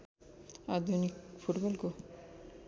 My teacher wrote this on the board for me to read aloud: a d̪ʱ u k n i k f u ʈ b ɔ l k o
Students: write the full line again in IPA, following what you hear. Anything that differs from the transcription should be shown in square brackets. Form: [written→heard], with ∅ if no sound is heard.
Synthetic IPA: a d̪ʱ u [k→∅] n i k f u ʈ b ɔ l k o